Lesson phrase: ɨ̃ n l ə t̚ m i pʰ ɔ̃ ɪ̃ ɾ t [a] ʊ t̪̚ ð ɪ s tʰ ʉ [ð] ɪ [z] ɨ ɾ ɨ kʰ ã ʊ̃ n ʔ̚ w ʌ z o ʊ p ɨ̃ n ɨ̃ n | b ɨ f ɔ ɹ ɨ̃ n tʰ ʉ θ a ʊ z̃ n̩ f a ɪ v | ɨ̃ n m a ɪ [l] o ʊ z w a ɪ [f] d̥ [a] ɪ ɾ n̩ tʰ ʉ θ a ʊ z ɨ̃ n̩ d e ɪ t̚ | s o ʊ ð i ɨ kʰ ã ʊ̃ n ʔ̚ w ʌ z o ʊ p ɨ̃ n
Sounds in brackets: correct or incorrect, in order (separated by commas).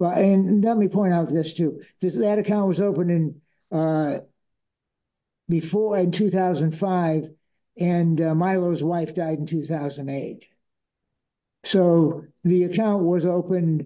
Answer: correct, correct, incorrect, correct, correct, correct